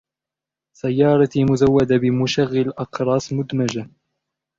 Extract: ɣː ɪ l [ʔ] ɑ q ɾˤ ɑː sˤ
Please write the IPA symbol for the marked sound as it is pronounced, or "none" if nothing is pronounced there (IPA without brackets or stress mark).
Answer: ʔ